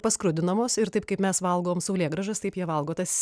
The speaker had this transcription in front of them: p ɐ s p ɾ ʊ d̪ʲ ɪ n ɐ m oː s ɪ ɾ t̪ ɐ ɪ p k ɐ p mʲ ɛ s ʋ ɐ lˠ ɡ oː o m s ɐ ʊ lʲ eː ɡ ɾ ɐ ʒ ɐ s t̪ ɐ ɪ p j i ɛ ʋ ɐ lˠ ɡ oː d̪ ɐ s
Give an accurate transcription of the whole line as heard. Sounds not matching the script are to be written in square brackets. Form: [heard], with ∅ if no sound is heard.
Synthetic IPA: p ɐ s [k] ɾ ʊ d̪ʲ ɪ n ɐ m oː s ɪ ɾ t̪ ɐ ɪ p k ɐ p mʲ ɛ s ʋ ɐ lˠ ɡ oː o m s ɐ ʊ lʲ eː ɡ ɾ ɐ ʒ ɐ s t̪ ɐ ɪ p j i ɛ ʋ ɐ lˠ ɡ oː [t̪] ɐ s